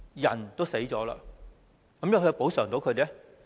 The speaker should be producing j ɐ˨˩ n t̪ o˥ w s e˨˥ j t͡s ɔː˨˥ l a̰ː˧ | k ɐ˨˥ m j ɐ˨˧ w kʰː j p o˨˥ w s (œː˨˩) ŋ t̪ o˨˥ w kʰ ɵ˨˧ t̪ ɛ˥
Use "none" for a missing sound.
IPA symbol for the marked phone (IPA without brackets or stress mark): œː˨˩